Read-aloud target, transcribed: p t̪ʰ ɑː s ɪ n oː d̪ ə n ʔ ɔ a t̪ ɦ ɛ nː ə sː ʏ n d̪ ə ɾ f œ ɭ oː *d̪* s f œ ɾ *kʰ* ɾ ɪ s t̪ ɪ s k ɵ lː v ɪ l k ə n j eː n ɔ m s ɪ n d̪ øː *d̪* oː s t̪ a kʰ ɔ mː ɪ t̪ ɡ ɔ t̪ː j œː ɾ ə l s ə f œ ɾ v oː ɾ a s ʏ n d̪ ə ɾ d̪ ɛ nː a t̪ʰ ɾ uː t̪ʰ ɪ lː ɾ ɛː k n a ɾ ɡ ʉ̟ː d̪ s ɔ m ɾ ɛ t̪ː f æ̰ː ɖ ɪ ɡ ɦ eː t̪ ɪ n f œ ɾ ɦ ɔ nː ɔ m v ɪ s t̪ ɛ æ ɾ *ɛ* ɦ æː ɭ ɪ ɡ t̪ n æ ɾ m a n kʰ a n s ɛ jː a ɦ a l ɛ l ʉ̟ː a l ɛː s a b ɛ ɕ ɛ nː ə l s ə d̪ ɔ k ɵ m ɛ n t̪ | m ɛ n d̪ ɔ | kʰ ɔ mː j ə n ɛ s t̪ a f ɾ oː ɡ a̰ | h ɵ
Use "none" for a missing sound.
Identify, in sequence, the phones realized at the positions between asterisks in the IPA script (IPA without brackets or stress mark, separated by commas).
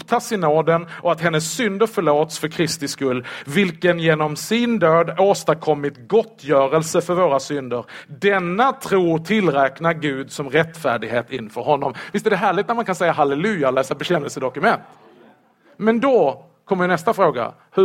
t̪, kʰ, d̪, ɛ